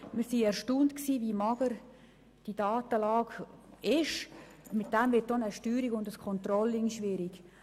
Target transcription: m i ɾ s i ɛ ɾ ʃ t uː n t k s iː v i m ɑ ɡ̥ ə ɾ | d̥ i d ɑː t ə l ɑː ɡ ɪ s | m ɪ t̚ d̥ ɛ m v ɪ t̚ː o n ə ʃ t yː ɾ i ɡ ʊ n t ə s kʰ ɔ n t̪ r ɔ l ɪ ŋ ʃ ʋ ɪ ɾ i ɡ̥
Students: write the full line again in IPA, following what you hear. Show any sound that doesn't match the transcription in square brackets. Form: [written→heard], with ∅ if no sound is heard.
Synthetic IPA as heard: m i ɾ s i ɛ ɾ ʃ t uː n t k s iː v i m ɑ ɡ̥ ə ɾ | d̥ i d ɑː t ə l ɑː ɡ ɪ [s→ʃ] | m ɪ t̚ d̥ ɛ m v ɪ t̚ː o n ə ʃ t yː ɾ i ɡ ʊ n [t→d] ə s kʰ ɔ n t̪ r ɔ l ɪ ŋ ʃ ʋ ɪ ɾ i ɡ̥